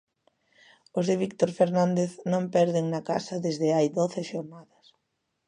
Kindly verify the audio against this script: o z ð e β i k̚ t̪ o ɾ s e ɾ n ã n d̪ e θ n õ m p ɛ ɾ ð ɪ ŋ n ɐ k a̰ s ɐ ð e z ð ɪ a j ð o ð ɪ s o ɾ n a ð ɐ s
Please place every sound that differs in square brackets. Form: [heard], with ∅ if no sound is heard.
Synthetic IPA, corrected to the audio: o z ð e β i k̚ t̪ o ɾ [f] e ɾ n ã n d̪ e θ n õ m p ɛ ɾ ð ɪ ŋ n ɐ k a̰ s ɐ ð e z ð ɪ a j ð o [θ] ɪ [ʃ] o ɾ n a ð ɐ s